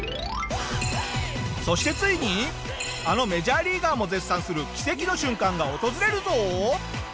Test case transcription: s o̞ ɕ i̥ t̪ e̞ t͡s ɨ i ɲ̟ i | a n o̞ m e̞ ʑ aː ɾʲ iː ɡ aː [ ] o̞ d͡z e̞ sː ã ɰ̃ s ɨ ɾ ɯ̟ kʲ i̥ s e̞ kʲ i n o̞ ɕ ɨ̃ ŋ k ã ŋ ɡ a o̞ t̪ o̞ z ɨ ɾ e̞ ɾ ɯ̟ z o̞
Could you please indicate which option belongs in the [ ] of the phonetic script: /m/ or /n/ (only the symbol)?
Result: m